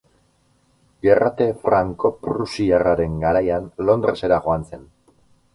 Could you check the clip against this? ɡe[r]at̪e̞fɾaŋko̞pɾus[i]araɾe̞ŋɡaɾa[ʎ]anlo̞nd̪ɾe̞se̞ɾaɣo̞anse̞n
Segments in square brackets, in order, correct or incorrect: correct, correct, incorrect

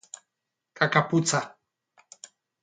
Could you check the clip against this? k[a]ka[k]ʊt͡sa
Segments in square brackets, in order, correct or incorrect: correct, incorrect

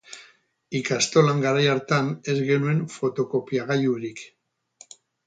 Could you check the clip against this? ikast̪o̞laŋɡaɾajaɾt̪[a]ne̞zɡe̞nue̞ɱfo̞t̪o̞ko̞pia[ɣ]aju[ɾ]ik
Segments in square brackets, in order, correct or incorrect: correct, correct, correct

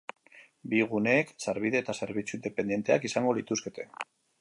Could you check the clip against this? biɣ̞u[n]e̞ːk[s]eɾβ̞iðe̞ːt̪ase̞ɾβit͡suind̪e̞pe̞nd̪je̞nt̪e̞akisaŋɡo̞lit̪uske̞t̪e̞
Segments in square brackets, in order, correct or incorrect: correct, correct

